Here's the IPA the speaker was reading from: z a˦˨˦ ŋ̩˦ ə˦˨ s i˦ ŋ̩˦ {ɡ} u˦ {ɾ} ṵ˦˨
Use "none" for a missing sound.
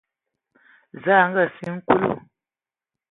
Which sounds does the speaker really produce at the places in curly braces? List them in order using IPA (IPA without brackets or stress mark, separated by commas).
k, l